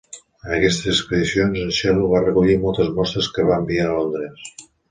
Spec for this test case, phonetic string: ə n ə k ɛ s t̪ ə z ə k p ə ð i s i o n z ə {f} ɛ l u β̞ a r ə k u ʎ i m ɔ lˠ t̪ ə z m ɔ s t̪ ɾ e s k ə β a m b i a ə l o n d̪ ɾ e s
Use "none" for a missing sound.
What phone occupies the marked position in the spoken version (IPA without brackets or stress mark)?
ʃ